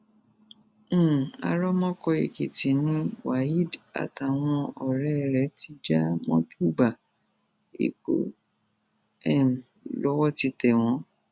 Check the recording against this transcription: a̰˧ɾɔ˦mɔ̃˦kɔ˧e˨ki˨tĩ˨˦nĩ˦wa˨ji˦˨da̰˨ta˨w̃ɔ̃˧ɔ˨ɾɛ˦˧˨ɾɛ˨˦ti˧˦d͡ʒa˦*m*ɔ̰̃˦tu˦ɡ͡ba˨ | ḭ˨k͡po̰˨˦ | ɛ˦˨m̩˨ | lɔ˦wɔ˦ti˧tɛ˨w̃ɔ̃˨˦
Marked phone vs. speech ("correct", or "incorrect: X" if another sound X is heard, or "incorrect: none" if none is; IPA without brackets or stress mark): correct